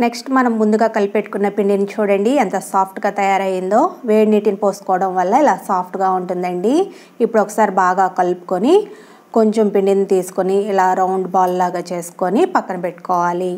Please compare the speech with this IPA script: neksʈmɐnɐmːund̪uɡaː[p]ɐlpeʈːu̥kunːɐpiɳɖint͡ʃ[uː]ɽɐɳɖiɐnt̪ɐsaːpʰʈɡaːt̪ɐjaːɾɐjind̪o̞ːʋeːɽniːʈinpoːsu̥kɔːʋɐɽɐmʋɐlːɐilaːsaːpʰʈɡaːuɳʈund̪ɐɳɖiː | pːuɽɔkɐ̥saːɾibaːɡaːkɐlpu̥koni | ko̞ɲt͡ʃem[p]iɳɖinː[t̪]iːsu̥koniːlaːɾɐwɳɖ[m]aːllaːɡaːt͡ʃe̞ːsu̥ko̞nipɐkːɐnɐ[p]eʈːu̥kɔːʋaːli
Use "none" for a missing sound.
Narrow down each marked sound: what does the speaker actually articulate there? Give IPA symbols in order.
k, uː, p, t̪, b, p

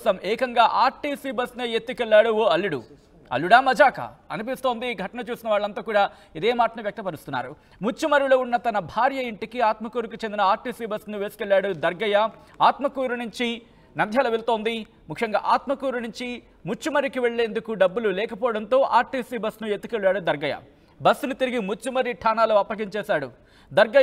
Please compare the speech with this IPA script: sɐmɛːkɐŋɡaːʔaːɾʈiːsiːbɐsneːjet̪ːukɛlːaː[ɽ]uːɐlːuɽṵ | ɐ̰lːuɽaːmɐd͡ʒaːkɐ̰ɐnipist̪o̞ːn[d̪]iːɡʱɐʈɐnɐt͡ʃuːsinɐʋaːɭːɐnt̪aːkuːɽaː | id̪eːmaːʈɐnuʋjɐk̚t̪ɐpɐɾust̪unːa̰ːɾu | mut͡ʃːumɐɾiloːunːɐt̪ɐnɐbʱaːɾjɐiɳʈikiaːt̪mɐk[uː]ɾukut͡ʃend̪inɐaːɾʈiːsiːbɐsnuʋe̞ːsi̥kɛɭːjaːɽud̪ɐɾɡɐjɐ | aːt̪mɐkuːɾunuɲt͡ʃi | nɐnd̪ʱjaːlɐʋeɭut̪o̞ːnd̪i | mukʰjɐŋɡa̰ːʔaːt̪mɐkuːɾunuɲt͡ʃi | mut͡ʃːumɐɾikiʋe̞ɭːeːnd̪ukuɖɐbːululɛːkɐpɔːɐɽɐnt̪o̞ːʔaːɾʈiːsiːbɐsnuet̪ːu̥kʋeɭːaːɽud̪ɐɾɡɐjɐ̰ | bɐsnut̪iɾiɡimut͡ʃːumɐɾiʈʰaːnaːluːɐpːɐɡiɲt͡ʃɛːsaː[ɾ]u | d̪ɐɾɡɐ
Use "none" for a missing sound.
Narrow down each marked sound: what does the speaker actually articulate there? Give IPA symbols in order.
ɽ, d̪, uː, ɽ

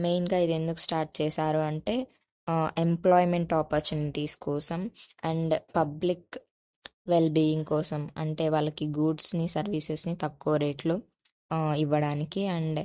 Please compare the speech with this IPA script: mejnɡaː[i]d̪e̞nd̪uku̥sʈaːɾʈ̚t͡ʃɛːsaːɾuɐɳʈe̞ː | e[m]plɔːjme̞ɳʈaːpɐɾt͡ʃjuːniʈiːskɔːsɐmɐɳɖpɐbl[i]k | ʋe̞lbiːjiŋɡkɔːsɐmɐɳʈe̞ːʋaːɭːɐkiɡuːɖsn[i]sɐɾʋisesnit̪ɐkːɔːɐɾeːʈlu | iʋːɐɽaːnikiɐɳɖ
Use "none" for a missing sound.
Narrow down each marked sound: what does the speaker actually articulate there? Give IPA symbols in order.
i, m, i, i

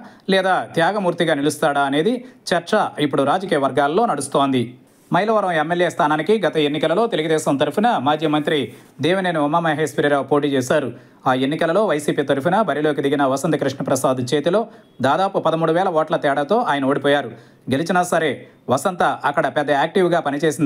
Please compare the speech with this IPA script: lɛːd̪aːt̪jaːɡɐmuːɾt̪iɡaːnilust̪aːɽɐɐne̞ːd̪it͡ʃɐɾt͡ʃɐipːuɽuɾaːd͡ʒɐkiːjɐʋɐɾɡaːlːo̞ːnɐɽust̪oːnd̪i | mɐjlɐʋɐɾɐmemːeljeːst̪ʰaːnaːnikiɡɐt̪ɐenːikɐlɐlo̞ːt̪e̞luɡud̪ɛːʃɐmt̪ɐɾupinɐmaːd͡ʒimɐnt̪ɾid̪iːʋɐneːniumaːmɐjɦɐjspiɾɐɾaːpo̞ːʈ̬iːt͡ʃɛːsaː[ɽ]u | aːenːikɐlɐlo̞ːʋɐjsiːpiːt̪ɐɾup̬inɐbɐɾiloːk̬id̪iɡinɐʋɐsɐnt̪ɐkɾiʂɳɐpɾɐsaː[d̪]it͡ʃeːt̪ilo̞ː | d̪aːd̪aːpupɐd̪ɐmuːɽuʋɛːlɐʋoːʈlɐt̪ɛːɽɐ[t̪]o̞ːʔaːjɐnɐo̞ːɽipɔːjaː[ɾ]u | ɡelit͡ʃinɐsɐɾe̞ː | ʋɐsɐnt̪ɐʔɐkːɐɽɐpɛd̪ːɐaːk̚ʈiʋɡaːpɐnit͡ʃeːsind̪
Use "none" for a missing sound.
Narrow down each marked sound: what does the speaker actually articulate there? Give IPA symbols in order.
ɾ, d̪, t̪, ɾ

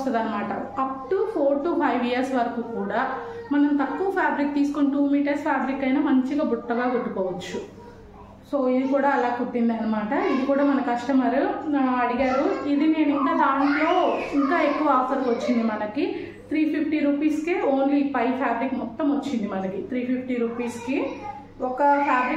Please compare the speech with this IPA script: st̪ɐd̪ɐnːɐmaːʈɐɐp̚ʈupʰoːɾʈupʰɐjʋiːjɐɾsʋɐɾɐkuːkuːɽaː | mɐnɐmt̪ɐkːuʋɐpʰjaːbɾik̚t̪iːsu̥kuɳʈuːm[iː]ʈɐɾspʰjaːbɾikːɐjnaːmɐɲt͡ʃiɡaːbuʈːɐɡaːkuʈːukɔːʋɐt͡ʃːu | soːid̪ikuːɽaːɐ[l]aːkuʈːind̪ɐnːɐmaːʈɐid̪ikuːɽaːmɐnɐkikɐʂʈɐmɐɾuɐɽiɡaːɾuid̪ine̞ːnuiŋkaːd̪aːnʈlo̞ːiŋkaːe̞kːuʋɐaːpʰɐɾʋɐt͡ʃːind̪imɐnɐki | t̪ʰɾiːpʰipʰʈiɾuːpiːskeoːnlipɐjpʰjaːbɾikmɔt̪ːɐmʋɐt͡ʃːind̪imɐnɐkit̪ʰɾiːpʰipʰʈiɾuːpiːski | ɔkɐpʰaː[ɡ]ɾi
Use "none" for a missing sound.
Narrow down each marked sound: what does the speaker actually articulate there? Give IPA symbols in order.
iː, l, b

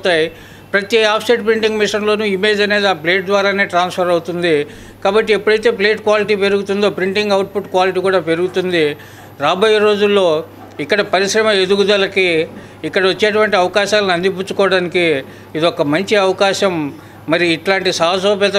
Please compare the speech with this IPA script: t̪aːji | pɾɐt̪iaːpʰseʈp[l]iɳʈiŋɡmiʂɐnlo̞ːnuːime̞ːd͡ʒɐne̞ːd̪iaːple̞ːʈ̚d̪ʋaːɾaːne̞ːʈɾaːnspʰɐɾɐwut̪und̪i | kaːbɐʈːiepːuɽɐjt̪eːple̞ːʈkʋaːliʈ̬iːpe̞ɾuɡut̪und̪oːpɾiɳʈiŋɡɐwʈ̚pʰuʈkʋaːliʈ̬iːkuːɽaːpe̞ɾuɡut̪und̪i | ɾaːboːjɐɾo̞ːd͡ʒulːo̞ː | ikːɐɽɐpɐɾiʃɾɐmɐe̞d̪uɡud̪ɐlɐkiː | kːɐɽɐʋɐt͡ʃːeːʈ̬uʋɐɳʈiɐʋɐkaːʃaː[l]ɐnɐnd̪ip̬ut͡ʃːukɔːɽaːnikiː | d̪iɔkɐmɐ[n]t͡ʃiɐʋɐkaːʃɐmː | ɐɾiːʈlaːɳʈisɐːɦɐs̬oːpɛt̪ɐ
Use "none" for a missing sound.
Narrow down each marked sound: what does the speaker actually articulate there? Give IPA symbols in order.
ɾ, l, ɲ

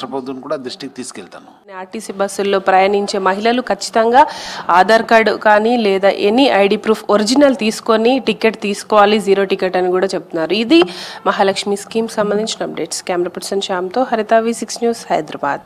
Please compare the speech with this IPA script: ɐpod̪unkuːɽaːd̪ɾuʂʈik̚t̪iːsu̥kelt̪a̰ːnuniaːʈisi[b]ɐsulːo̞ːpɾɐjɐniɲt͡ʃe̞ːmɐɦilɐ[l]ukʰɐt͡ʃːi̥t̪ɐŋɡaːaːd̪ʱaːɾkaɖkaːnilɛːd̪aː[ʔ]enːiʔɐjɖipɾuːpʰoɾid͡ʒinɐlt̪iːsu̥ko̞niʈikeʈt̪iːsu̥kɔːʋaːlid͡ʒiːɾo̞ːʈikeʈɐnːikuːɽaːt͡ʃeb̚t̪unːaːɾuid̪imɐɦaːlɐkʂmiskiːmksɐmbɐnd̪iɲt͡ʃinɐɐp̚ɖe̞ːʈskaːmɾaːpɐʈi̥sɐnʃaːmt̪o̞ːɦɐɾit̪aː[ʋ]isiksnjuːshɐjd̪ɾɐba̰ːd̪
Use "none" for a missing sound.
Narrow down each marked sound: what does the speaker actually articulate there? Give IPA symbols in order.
b, l, ʔ, ʋ

